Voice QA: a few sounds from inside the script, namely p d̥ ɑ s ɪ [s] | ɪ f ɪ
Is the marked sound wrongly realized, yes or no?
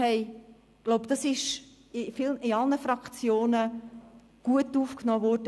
yes